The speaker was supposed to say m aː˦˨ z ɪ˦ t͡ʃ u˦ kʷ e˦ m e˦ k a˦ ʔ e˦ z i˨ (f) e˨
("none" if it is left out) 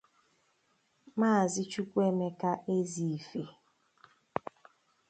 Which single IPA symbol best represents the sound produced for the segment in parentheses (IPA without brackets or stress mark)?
f